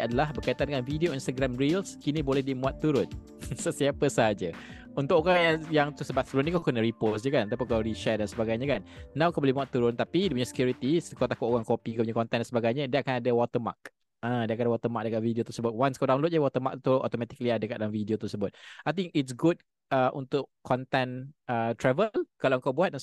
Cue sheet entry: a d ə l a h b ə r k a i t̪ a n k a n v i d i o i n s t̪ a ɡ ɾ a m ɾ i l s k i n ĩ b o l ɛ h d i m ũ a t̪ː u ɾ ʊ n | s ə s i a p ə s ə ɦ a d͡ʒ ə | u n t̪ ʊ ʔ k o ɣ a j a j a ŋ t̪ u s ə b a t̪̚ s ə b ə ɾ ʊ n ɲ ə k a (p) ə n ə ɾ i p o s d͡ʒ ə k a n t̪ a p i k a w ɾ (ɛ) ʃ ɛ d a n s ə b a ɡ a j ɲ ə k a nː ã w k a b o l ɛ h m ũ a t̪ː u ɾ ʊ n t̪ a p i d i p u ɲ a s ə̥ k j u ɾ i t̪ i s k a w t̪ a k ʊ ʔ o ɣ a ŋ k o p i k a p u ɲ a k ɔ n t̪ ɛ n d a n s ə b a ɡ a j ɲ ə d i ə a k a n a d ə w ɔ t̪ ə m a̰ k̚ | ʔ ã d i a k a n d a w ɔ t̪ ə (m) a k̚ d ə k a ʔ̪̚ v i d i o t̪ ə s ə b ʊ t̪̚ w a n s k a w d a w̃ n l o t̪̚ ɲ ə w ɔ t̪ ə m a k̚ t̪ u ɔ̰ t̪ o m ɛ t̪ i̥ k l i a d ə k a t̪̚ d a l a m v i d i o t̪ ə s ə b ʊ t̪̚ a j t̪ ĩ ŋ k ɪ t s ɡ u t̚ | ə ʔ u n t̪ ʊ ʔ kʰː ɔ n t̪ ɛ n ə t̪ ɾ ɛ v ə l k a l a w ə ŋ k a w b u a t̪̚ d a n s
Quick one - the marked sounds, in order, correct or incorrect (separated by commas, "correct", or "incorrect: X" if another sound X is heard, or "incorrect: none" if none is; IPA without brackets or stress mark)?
incorrect: k, incorrect: i, correct